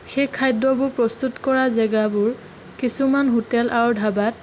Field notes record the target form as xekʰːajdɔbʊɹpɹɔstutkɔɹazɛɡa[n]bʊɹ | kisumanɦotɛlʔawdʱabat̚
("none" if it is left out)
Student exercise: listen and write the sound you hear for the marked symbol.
none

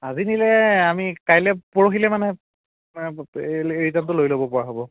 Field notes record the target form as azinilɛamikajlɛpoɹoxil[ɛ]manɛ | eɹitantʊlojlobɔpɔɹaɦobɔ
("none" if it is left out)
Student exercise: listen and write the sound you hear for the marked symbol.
ɛ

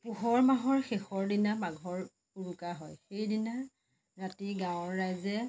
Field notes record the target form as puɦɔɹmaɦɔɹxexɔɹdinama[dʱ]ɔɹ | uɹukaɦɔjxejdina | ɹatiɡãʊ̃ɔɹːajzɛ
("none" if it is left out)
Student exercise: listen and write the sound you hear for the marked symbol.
ɡʱ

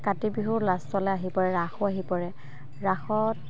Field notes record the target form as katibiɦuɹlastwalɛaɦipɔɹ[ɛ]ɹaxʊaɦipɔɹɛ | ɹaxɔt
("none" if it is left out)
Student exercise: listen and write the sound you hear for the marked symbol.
ɛ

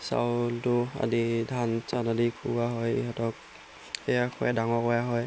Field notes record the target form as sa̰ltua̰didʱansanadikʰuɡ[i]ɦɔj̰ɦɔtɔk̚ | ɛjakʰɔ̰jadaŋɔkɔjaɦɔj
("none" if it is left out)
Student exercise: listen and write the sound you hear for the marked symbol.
a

